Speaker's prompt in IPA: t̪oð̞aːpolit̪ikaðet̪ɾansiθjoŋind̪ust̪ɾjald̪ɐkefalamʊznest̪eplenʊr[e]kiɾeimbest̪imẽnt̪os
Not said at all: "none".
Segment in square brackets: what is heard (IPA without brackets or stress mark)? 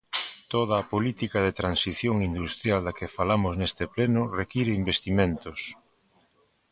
e